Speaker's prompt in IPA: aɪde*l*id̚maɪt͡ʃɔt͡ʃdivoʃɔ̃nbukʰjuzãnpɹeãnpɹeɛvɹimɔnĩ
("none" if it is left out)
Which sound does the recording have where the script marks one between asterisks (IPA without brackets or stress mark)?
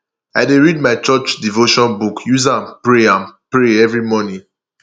ɹ